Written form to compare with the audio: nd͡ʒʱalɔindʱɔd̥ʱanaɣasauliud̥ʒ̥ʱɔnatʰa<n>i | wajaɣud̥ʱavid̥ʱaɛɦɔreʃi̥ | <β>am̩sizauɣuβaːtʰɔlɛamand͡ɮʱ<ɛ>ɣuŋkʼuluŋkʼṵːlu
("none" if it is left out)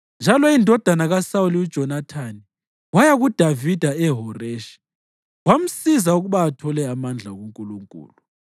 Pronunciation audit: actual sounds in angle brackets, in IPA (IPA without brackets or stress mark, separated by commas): n, w, a